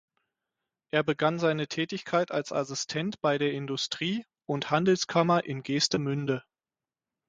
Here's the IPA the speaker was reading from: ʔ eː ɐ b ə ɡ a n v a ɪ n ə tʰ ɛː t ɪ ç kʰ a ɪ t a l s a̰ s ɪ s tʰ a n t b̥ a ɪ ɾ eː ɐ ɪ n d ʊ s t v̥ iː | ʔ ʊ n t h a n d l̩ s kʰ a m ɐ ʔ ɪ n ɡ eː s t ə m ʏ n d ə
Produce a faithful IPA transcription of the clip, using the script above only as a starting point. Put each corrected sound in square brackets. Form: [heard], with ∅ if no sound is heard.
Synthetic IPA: ʔ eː ɐ b ə ɡ a n [z] a ɪ n ə tʰ ɛː t ɪ ç kʰ a ɪ t a l s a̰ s ɪ s tʰ [ɛ] n t b̥ a ɪ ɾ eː ɐ ɪ n d ʊ s t [ʁ̥] iː | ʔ ʊ n t h a n d l̩ s kʰ a m ɐ ʔ ɪ n ɡ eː s t ə m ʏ n d ə